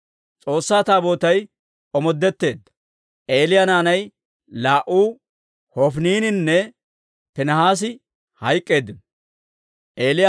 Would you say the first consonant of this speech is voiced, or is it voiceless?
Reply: voiceless